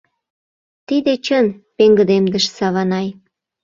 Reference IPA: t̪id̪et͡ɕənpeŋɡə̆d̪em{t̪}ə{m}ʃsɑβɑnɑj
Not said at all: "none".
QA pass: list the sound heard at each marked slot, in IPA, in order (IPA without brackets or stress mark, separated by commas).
d̪, none